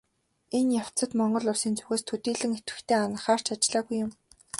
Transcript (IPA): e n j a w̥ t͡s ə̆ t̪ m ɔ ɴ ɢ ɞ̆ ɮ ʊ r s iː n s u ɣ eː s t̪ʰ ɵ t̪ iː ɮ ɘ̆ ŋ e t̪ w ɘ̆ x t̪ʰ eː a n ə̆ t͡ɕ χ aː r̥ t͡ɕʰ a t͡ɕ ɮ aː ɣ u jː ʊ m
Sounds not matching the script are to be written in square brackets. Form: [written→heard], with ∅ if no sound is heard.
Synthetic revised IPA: e n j a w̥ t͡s ə̆ t̪ m ɔ ɴ ɢ ɞ̆ ɮ ʊ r s iː n [s→t͡s] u ɣ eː s t̪ʰ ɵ t̪ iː ɮ ɘ̆ ŋ e t̪ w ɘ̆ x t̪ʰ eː a n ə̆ [t͡ɕ→∅] χ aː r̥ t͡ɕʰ a t͡ɕ ɮ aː ɣ u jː ʊ m